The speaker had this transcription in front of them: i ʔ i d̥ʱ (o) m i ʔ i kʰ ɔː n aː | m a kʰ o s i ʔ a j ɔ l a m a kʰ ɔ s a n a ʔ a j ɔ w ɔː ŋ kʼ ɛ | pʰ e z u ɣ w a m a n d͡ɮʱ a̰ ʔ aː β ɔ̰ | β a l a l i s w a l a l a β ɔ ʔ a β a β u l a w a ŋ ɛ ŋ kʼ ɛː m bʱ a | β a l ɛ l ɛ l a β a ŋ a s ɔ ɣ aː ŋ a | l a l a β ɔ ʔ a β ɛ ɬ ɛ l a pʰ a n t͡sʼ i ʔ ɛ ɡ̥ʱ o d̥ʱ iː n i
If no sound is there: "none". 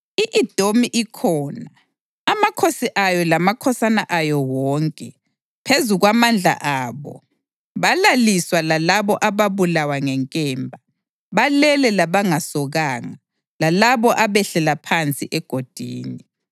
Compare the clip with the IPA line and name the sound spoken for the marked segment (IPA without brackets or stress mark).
o